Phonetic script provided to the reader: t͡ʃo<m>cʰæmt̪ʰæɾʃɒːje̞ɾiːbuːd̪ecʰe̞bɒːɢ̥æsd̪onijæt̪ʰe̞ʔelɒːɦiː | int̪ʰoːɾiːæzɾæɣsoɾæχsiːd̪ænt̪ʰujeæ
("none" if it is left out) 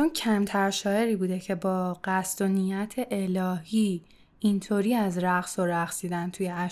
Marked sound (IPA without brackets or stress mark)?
n